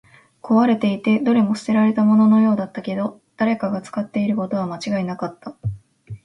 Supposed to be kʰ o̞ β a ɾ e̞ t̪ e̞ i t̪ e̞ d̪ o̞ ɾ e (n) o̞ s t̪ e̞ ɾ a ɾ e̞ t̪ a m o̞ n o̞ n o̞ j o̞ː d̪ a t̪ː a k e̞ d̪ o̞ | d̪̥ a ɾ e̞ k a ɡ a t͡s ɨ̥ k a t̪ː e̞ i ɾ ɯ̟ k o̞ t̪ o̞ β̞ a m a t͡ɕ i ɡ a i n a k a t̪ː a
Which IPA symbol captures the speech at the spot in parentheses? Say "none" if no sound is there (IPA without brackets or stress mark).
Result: m